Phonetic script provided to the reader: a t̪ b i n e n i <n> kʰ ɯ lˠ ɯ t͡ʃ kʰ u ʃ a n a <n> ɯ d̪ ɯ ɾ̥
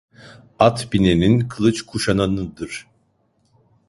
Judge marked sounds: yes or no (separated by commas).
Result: yes, yes